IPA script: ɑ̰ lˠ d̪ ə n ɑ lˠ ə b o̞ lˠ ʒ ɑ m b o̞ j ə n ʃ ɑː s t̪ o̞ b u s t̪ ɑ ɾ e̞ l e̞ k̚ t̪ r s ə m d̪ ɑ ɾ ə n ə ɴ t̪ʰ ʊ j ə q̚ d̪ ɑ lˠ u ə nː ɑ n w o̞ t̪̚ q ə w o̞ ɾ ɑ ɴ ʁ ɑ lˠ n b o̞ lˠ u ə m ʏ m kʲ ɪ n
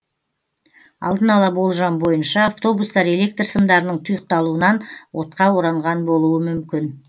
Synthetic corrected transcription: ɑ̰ lˠ d̪ ə n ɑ lˠ ɑ b o̞ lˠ ʒ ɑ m b o̞ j ə n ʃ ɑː f t̪ o̞ b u s t̪ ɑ ɾ e̞ l e̞ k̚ t̪ r s ə m d̪ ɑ ɾ ə n ə ɴ t̪ʰ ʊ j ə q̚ t̪ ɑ lˠ u ə n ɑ n w o̞ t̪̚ q ɑ w o̞ ɾ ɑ ɴ ʁ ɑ n b o̞ lˠ u ə m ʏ m kʲ ɪ n